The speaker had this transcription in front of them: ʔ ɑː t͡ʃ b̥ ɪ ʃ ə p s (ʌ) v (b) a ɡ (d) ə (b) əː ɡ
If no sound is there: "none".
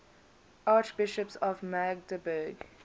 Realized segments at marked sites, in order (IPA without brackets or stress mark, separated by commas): ɔ, m, d, b